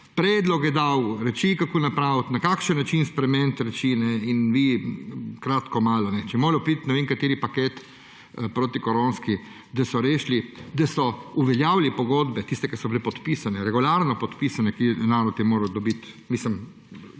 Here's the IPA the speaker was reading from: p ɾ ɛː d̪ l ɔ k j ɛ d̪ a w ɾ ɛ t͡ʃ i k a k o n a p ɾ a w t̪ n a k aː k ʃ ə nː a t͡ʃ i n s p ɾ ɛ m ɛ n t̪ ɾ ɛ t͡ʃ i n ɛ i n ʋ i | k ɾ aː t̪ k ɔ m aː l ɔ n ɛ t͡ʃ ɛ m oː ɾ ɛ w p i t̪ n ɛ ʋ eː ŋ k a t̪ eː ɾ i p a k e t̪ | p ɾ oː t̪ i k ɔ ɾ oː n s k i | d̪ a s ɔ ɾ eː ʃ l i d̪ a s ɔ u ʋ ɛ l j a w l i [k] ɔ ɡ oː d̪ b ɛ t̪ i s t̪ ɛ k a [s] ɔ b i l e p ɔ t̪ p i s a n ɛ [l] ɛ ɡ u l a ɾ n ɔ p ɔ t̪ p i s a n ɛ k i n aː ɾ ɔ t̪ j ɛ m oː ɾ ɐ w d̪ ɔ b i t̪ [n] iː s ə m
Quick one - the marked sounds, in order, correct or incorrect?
incorrect, correct, incorrect, incorrect

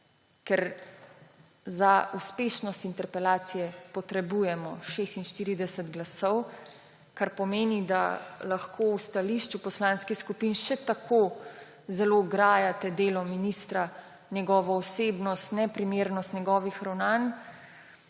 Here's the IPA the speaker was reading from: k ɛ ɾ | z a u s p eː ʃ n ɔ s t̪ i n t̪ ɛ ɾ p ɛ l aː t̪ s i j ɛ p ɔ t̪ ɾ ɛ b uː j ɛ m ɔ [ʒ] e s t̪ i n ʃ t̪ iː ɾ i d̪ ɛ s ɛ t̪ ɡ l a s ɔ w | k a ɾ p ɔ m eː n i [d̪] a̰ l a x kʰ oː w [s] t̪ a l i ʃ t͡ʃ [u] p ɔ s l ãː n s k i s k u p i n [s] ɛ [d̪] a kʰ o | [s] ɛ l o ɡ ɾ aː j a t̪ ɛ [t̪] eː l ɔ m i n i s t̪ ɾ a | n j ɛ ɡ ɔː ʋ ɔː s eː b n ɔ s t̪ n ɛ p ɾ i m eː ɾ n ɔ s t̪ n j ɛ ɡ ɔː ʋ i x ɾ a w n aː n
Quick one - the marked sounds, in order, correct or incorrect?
incorrect, correct, correct, correct, incorrect, incorrect, incorrect, incorrect

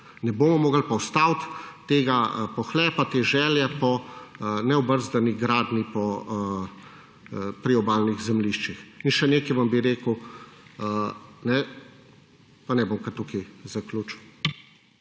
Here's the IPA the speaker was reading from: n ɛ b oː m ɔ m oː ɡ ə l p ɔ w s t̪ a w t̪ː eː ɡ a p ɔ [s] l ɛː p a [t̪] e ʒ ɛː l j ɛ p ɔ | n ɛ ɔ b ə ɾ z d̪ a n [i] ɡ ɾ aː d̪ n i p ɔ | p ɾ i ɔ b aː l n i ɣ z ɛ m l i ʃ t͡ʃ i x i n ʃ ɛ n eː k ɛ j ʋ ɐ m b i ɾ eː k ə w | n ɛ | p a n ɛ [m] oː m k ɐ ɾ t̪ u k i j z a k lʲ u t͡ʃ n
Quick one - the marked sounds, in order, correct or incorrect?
incorrect, correct, correct, incorrect

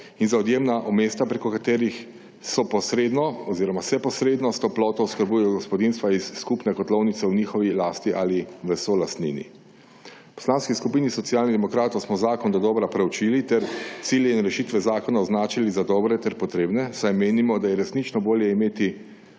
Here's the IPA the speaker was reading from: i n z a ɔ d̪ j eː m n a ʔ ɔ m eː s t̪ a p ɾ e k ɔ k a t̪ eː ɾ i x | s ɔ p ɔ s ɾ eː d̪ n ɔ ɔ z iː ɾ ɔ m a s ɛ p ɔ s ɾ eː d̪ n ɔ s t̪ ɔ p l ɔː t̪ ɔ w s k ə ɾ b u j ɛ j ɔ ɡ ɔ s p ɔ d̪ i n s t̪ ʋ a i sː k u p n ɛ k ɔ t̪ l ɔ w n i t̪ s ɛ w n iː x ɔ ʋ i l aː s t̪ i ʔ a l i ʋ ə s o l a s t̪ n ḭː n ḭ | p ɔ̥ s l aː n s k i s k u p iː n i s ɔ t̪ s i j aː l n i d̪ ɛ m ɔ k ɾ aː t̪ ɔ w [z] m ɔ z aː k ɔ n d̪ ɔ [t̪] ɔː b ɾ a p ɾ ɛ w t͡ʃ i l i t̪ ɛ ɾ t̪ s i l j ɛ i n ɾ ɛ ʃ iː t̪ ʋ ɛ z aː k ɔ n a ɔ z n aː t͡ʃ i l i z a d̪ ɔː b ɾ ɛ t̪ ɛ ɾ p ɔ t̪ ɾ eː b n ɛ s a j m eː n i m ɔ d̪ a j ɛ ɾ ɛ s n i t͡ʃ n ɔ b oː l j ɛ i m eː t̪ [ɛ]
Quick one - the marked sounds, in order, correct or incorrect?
incorrect, incorrect, incorrect

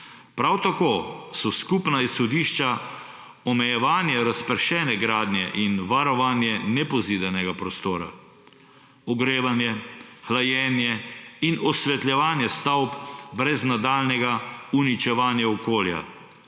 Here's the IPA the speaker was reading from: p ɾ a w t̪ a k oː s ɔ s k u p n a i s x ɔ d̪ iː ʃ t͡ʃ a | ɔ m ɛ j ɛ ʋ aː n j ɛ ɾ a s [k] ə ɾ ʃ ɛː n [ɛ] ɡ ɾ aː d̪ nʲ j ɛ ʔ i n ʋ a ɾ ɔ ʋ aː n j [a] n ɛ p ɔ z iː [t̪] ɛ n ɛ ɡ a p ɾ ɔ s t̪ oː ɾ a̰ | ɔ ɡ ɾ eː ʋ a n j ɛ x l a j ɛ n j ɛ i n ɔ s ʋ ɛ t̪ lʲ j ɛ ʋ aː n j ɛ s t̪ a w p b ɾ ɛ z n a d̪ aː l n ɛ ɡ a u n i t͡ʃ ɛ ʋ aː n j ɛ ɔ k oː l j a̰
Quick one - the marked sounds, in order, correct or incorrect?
incorrect, correct, incorrect, incorrect

